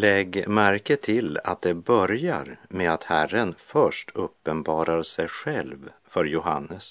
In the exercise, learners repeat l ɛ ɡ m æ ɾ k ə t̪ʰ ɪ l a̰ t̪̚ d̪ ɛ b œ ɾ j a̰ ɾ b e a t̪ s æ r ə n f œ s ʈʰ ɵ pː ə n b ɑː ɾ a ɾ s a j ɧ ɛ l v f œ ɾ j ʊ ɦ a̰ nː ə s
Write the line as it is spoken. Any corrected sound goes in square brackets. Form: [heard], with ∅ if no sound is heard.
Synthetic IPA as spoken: l ɛ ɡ m æ ɾ k ə t̪ʰ ɪ l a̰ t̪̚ d̪ ɛ b œ ɾ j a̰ ɾ [m] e a t̪ [h] æ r ə n f œ [ʂ] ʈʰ ɵ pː ə n b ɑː ɾ a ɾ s [ɛ] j ɧ ɛ l v f œ ɾ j ʊ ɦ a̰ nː ə s